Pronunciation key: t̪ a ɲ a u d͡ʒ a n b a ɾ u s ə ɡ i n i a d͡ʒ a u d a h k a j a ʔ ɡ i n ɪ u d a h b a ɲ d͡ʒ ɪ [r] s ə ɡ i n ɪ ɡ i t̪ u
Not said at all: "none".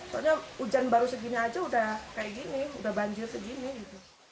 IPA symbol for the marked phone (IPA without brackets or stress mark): r